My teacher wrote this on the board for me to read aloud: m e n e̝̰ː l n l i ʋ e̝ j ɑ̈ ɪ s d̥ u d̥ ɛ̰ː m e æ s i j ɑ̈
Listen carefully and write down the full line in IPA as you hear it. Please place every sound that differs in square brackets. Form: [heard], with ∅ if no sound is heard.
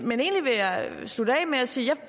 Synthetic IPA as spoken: m e n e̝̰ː [∅] n l i ʋ e̝ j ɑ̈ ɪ s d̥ u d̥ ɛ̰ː m e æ s [iː] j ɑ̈